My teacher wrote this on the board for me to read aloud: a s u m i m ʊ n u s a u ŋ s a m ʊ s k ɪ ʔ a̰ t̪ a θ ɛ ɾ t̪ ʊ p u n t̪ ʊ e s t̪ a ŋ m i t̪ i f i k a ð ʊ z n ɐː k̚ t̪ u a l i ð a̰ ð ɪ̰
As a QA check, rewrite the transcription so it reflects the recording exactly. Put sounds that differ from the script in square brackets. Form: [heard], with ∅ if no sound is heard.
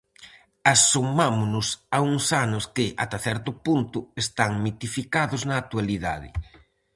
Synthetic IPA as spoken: a s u m [a] m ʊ n [ʊ] s a u ŋ s a [n] ʊ s k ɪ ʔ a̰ t̪ a θ ɛ ɾ t̪ ʊ p u n t̪ ʊ e s t̪ a ŋ m i t̪ i f i k a ð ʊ z n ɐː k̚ t̪ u a l i ð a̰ ð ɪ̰